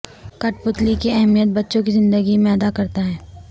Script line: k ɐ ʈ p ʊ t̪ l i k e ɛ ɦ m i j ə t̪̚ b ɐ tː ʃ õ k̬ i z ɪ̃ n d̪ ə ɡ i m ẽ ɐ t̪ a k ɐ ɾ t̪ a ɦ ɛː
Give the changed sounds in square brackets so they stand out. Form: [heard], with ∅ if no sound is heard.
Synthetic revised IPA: k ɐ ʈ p ʊ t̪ l i k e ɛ ɦ m i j ə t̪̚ b ɐ tː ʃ õ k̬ i z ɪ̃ n d̪ ə ɡ i m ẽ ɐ [d̪] a k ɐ ɾ t̪ a ɦ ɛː